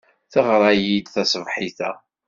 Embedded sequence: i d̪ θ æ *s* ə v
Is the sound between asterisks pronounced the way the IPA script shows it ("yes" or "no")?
yes